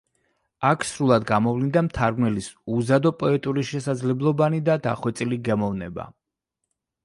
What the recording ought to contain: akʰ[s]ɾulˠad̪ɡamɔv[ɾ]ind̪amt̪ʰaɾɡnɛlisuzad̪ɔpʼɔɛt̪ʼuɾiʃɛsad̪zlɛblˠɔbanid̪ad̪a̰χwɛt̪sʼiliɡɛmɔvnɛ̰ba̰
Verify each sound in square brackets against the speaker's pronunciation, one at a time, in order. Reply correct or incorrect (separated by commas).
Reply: correct, incorrect